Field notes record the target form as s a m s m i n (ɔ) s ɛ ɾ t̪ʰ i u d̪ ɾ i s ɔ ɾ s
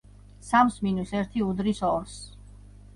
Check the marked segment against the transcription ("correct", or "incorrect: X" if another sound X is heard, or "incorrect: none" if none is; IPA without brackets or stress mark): incorrect: u